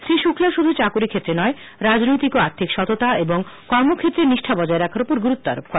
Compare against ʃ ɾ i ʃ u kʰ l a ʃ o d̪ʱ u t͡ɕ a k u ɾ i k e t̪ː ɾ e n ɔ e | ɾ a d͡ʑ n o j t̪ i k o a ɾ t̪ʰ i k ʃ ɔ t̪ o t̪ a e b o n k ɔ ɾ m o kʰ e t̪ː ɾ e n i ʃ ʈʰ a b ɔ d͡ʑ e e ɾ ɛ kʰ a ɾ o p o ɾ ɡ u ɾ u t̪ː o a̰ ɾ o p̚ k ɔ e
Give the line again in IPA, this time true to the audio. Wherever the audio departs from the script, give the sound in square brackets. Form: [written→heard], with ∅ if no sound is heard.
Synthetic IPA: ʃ ɾ i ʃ u kʰ l a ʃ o d̪ʱ u t͡ɕ a k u ɾ i [k→kʰ] e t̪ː ɾ e n ɔ e | ɾ a d͡ʑ n o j t̪ i k o a ɾ t̪ʰ i k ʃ ɔ t̪ o t̪ a e b o [n→ŋ] k ɔ ɾ m o kʰ e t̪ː ɾ e n i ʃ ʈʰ a b ɔ d͡ʑ [e→a] e ɾ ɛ kʰ a ɾ o p o ɾ ɡ u ɾ u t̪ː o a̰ ɾ o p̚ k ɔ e